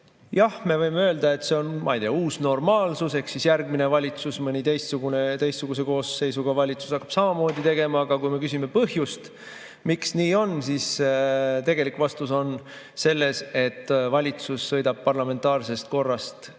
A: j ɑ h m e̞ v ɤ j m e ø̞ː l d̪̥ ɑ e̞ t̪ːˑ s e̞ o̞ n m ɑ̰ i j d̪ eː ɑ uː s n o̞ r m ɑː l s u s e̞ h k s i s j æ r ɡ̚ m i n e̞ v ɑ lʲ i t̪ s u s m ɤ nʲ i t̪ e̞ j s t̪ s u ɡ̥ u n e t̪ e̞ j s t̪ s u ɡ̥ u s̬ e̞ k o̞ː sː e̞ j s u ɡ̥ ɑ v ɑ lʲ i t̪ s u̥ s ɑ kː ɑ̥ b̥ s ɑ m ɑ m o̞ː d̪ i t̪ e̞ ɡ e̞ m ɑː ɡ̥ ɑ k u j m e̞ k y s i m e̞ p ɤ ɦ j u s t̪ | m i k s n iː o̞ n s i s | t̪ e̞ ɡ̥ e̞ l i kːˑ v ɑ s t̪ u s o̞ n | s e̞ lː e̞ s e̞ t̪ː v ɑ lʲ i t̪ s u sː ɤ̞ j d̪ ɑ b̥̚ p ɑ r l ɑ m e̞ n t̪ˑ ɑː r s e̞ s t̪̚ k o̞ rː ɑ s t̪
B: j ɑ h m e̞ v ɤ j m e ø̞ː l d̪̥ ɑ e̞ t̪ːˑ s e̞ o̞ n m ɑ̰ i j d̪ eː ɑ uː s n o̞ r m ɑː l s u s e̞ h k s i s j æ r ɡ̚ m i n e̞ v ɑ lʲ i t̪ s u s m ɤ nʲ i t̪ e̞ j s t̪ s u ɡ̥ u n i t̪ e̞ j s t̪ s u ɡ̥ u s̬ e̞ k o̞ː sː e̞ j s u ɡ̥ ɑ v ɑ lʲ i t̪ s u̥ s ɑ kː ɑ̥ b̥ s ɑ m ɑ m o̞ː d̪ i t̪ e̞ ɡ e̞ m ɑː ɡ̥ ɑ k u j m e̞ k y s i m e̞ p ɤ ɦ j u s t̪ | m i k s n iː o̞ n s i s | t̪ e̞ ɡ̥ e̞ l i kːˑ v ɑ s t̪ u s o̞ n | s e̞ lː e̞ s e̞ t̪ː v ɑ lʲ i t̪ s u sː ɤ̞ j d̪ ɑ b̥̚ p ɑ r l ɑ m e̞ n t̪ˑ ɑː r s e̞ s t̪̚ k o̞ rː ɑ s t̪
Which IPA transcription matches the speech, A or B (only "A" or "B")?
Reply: A